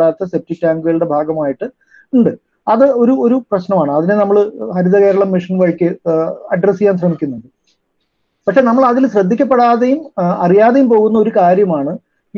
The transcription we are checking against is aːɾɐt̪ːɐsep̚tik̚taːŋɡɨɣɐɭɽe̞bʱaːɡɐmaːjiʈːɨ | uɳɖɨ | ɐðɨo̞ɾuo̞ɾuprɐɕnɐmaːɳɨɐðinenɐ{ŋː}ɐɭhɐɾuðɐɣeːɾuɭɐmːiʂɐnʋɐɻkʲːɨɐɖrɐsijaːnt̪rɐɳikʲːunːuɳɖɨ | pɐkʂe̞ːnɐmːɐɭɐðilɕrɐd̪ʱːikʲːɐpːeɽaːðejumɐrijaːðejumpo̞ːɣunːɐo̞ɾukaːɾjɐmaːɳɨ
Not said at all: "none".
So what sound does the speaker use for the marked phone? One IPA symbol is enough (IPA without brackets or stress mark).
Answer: mː